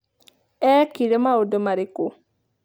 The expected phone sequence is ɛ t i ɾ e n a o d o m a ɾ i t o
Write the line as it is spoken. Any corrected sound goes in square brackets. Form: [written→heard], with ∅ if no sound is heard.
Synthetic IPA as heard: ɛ [t→k] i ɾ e [n→m] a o d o m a ɾ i [t→k] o